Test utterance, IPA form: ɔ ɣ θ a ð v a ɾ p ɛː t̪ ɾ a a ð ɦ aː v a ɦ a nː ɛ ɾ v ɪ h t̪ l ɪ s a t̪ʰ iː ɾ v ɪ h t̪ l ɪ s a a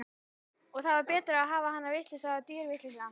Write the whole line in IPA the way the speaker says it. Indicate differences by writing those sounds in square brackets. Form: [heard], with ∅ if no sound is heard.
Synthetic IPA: ɔ ɣ θ a ð v a ɾ p ɛː t̪ ɾ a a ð ɦ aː v a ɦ a nː [a] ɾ v ɪ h t̪ l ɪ s a [t̪] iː ɾ v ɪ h t̪ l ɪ s a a